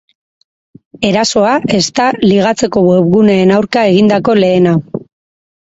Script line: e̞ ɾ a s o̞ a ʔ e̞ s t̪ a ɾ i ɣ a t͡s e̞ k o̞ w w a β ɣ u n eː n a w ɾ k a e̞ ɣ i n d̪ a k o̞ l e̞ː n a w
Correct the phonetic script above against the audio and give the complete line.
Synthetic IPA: e̞ ɾ a s o̞ a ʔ e̞ s t̪ a l i ɣ a t͡s e̞ k o̞ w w e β ɣ u n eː n a w ɾ k a e̞ ɣ i n d̪ a k o̞ l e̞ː n a w